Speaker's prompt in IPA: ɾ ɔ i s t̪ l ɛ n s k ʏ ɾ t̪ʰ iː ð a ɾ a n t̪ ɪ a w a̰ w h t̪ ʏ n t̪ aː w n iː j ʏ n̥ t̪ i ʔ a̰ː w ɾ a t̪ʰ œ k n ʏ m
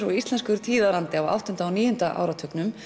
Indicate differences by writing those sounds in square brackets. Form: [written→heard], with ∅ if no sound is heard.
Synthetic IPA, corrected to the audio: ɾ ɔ i s t̪ l ɛ n s k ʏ ɾ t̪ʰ iː ð a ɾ a n t̪ ɪ a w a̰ w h t̪ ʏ n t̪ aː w n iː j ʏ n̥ t̪ [i→a] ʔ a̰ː w ɾ a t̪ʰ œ k n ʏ m